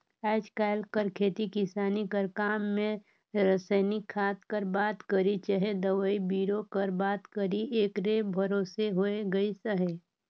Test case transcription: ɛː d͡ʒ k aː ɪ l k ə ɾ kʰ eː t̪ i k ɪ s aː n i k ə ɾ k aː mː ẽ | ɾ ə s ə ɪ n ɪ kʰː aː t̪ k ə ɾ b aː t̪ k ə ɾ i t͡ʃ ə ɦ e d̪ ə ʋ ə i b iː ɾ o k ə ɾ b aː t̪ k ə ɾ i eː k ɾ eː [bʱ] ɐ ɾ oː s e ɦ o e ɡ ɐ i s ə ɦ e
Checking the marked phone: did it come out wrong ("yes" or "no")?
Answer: no